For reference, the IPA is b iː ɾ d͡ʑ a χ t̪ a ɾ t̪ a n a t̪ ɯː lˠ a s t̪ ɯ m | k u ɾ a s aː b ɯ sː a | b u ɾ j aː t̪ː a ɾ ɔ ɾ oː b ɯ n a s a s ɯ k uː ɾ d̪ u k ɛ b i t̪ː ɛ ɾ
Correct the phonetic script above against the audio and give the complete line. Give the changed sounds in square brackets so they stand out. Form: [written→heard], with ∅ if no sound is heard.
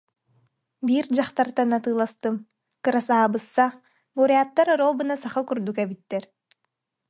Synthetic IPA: b iː ɾ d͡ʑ a χ t̪ a ɾ t̪ a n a t̪ ɯː lˠ a s t̪ ɯ m | k [u→ɯ] ɾ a s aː b ɯ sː a | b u ɾ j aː t̪ː a ɾ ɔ ɾ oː b ɯ n a s a [s→χ] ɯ k [uː→u] ɾ d̪ u k ɛ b i t̪ː ɛ ɾ